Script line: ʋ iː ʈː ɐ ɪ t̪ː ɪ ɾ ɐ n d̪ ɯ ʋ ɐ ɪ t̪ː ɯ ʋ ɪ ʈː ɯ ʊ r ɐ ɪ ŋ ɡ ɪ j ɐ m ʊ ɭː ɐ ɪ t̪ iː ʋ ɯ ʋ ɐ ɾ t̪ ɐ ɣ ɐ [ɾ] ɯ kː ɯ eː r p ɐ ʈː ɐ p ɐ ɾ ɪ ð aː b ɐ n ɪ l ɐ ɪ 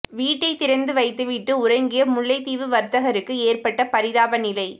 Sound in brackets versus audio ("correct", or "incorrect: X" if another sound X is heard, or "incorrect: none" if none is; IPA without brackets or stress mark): correct